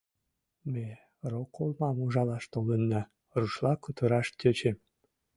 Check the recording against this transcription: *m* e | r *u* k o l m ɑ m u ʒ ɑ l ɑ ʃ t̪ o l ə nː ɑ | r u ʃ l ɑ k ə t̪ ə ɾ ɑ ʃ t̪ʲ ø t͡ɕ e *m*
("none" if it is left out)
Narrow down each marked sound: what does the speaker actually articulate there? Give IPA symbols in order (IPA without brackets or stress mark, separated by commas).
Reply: m, o, m